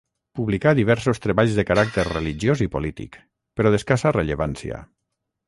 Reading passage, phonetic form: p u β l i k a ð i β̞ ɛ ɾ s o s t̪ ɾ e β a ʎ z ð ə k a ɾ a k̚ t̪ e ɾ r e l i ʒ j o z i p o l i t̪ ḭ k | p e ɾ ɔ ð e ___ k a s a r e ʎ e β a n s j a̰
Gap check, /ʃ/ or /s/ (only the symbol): s